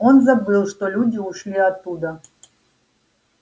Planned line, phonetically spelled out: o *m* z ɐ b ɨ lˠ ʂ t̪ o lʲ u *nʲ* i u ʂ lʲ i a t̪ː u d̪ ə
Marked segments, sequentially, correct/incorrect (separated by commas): incorrect, incorrect